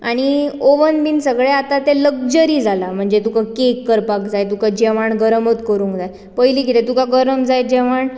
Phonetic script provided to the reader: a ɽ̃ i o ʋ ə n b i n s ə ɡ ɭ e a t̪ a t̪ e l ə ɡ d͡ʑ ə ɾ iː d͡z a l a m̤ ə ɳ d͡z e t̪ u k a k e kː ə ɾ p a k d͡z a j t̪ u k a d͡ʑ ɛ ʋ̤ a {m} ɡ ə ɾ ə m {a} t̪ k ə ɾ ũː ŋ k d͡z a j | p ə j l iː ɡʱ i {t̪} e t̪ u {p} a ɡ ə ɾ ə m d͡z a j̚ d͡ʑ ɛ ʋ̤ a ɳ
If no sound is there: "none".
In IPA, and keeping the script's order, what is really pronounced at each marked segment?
ɳ, ə, t̪, k

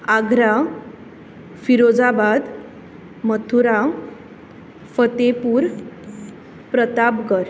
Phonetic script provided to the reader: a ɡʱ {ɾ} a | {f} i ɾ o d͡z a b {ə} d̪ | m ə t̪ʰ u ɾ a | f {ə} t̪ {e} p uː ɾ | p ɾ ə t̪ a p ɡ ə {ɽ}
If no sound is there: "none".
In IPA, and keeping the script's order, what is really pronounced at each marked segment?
ɾ, f, a, ə, e, ɾ

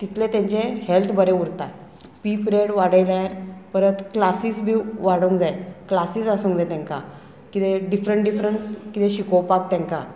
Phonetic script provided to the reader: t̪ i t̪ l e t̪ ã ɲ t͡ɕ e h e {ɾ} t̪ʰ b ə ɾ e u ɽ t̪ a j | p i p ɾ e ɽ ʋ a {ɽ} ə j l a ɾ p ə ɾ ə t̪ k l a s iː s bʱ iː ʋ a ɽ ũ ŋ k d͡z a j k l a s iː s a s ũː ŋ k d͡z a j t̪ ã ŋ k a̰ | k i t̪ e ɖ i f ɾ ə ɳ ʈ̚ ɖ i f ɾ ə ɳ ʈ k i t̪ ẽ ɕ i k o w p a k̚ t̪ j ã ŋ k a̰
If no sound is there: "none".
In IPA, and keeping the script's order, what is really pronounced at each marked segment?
l, ɽ

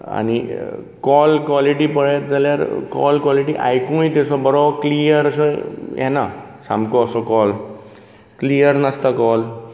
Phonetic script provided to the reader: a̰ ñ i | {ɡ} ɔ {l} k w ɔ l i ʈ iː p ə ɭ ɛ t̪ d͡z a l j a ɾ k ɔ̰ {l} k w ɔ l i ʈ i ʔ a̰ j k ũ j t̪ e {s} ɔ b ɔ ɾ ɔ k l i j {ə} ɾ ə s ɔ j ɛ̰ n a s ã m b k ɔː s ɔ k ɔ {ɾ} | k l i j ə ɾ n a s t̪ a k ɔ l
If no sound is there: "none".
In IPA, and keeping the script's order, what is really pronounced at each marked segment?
k, l, l, s, ə, l

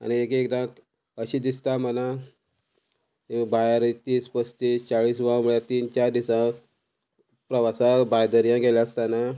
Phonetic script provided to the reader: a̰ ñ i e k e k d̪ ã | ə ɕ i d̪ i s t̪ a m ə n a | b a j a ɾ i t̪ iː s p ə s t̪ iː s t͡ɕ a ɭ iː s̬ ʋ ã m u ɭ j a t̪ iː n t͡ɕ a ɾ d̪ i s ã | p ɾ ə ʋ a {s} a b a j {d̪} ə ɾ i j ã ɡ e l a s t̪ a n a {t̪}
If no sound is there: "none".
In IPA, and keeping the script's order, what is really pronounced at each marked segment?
s, d̪, none

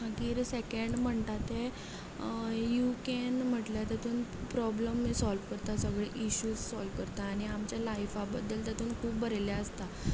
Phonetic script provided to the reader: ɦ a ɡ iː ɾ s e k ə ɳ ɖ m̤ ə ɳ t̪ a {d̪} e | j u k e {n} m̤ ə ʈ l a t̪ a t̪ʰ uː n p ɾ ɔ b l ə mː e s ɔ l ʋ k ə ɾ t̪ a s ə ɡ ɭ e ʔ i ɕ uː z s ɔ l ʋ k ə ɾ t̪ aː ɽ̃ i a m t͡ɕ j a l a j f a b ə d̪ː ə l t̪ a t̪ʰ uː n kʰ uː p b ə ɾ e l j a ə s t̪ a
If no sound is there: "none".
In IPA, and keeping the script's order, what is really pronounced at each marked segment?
t̪, n

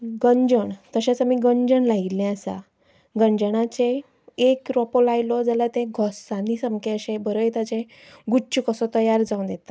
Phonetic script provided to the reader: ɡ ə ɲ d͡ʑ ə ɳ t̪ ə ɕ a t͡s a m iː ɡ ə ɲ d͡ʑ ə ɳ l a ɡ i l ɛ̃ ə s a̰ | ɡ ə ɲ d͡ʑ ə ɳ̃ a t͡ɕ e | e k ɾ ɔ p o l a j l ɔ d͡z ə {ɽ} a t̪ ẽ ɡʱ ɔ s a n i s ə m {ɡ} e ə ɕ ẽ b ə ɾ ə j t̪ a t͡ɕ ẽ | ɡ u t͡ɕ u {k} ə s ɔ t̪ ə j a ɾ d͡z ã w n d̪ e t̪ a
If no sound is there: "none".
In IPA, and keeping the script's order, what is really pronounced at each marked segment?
l, k, k

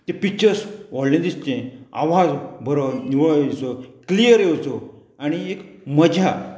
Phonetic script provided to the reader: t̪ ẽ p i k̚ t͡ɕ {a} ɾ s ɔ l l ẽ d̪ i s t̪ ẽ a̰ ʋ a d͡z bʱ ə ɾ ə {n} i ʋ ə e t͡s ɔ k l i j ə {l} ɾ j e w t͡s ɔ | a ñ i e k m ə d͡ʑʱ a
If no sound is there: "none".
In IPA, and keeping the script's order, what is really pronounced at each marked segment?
ə, n, none

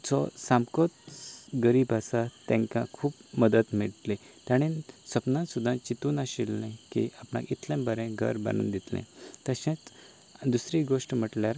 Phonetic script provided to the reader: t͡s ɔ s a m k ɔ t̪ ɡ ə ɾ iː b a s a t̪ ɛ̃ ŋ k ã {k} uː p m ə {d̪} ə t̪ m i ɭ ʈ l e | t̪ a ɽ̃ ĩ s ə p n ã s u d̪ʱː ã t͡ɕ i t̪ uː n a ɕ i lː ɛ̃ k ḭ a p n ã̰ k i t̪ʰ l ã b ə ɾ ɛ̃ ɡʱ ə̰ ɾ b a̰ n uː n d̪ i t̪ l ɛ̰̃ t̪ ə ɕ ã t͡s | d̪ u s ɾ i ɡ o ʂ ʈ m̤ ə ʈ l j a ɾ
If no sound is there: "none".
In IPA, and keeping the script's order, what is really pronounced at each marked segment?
kʰ, d̪

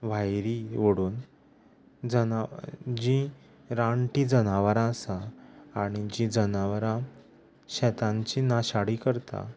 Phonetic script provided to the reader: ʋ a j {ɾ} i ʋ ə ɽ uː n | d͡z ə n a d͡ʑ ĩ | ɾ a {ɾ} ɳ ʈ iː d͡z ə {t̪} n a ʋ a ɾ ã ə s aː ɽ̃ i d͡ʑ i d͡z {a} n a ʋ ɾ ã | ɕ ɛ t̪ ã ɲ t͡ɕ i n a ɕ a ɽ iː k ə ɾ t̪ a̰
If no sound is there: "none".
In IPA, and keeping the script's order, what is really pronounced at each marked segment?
ɾ, none, none, ə

